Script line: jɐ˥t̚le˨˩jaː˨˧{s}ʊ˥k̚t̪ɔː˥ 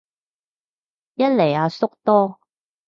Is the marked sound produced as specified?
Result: yes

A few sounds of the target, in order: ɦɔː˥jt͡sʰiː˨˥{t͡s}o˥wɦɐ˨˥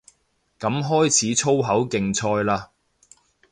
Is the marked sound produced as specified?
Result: no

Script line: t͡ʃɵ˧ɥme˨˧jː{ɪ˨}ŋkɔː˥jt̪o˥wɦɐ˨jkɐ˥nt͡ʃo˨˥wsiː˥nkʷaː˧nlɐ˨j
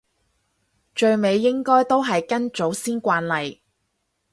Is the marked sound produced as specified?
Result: no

